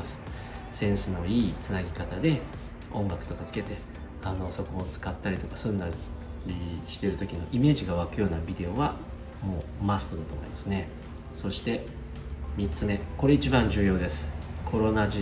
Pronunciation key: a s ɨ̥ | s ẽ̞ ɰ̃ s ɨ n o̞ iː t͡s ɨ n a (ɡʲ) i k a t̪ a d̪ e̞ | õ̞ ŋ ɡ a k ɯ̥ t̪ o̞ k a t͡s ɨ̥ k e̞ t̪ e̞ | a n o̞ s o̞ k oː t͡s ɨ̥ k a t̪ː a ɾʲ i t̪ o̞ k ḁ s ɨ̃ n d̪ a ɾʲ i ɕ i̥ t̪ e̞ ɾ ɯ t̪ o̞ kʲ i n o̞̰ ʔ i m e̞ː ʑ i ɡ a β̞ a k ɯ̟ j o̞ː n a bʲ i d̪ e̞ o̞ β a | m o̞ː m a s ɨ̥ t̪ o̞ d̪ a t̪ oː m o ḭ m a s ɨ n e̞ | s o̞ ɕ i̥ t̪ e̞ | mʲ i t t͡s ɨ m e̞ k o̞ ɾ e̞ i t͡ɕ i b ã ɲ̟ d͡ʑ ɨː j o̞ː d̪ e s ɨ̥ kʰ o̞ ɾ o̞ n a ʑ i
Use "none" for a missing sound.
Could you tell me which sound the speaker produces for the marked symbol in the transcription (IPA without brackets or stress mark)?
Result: ɡʲ